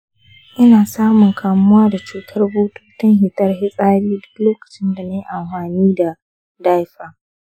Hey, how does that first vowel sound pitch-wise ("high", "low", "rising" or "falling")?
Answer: high